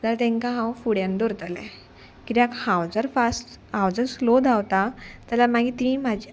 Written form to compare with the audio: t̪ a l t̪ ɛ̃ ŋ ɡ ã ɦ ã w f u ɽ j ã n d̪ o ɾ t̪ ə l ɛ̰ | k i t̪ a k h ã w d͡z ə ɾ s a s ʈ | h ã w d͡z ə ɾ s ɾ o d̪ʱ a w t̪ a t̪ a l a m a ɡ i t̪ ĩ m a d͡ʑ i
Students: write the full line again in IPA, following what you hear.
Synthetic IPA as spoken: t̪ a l t̪ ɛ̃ ŋ k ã ɦ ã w f u ɽ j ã n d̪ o ɾ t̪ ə l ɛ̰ | k i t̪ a k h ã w d͡z ə ɾ f a s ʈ | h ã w d͡z ə ɾ s l o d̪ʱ a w t̪ a t̪ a l a m a ɡ i t̪ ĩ m a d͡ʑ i

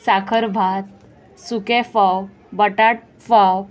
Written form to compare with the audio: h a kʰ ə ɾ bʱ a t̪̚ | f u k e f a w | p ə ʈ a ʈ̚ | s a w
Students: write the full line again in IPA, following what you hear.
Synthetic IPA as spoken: s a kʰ ə ɾ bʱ a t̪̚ | s u k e f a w | b ə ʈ a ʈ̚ | f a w

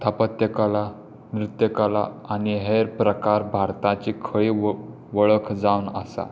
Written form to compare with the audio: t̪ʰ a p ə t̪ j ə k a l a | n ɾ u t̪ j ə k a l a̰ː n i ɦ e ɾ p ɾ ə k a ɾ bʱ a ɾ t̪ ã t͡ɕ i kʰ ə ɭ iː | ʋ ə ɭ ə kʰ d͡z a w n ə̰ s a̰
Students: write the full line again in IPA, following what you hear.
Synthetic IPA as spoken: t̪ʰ a p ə t̪ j ə k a l a | n ɾ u t̪ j ə k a l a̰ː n i ɦ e ɾ p ɾ ə k a ɾ bʱ a ɾ t̪ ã t͡ɕ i kʰ ə ɭ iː | ʋ ə ɭ ə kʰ d͡z a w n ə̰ s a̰

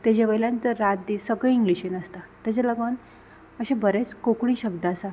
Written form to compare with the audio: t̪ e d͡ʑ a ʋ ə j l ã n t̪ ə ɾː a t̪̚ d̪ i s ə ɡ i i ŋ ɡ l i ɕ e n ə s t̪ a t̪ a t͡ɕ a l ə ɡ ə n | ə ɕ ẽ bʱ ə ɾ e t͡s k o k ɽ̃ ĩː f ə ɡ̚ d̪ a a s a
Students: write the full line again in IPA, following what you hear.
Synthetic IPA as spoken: t̪ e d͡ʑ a ʋ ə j l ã n t̪ ə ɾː a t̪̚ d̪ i s ə ɡ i i ŋ ɡ l i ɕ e n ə s t̪ a t̪ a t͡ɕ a l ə ɡ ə n | ə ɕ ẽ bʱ ə ɾ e t͡s k o k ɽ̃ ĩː ɕ ə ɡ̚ d̪ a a s a

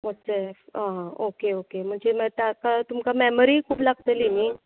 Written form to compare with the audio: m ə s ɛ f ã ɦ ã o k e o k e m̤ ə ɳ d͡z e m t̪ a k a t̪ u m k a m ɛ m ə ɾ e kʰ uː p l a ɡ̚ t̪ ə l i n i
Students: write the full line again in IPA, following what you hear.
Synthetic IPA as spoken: m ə s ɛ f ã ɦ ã o k e o k e m̤ ə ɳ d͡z e m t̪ a k a t̪ u m k a m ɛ m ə ɾ i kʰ uː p l a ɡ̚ t̪ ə l i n i

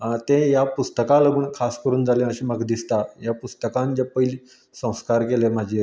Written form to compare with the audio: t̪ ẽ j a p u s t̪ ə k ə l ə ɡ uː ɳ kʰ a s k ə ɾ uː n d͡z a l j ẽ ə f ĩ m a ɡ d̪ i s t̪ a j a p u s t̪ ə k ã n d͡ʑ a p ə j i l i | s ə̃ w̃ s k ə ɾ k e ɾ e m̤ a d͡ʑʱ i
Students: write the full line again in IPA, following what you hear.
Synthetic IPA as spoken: t̪ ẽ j a p u s t̪ ə k a l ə ɡ uː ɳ kʰ a s k ə ɾ uː n d͡z a l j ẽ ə ɕ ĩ m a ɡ d̪ i s t̪ a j a p u s t̪ ə k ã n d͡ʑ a p ə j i l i | s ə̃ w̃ s k a ɾ k e l e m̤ a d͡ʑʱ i

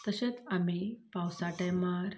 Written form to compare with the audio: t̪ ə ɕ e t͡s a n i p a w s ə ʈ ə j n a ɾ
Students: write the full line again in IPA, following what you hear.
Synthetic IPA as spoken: t̪ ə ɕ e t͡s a m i p a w s a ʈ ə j m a ɾ

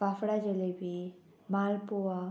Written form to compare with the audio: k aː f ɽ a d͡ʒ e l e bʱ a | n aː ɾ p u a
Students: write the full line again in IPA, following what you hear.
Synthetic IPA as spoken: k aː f ɽ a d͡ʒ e l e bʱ i | m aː l p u a

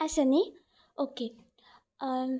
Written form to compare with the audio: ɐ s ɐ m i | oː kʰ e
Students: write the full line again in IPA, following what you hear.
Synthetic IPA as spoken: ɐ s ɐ n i | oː k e

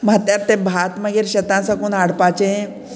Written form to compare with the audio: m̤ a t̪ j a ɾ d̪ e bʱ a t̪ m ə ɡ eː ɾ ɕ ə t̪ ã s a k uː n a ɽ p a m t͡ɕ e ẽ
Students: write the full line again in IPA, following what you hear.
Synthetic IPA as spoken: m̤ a t̪ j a ɾ t̪ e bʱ a t̪ m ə ɡ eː ɾ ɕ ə t̪ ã s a k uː n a ɽ p a t͡ɕ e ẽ

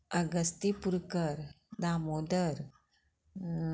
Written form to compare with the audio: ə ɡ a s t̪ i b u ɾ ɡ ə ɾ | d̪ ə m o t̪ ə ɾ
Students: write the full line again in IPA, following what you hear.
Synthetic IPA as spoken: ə ɡ ə s t̪ i p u ɾ k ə ɾ | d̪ a m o d̪ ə ɾ

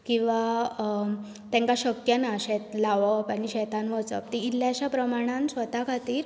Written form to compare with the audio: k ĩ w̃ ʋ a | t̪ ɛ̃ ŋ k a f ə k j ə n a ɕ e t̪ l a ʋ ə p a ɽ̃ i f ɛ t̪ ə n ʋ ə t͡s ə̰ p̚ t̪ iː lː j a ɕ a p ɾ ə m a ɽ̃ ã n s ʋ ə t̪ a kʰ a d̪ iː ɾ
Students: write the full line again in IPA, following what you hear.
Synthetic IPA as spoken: k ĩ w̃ ʋ a | t̪ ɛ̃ ŋ k a ɕ ə k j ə n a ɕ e t̪ l a ʋ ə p a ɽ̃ i ɕ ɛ t̪ a n ʋ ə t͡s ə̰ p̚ t̪ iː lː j a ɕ a p ɾ ə m a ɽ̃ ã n s ʋ ə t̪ a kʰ a t̪ iː ɾ

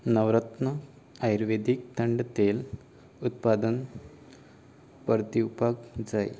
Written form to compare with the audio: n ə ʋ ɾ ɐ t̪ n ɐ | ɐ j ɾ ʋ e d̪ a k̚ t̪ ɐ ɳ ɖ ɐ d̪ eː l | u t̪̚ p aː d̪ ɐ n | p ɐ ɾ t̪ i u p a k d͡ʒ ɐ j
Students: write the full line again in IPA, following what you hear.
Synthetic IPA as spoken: n ɐ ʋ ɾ ɐ t̪ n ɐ | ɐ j ɾ ʋ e d̪ i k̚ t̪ ɐ ɳ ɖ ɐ t̪ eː l | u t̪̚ p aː d̪ ɐ n | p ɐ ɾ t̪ i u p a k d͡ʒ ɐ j

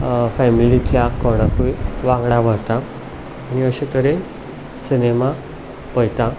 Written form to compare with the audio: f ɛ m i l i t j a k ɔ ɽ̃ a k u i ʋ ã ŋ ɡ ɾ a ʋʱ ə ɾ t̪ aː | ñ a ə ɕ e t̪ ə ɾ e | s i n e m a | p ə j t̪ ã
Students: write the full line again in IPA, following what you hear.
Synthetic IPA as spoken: f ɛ m i l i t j a k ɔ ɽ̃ a k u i ʋ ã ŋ ɡ ɽ a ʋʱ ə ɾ t̪ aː | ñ i ə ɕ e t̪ ə ɾ e | s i n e m a | p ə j t̪ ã

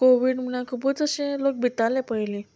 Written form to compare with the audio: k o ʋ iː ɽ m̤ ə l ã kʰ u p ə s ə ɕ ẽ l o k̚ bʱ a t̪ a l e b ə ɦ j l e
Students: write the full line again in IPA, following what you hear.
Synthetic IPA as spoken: k o ʋ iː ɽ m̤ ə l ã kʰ u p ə t͡s ə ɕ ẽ l o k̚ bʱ i t̪ a l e p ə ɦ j l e

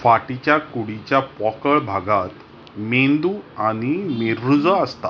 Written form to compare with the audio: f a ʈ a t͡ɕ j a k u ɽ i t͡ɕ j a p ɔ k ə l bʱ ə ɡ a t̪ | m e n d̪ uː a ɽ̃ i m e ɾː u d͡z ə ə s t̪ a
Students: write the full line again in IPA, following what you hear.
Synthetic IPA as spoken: f a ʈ i t͡ɕ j a k u ɽ i t͡ɕ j a p ɔ k ə ɭ bʱ a ɡ a t̪ | m e n d̪ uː a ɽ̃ i m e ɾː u d͡z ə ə s t̪ a

